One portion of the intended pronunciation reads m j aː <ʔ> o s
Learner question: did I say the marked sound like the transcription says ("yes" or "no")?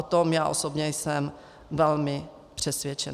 yes